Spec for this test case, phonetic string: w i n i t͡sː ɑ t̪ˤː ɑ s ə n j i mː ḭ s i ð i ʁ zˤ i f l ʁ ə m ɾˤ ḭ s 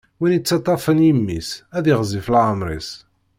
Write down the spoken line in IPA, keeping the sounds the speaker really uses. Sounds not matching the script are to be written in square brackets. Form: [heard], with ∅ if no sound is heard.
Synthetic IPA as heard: w i n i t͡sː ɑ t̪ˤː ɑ [f] ə n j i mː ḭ s [æ] ð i ʁ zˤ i f l [ʕ] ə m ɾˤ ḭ s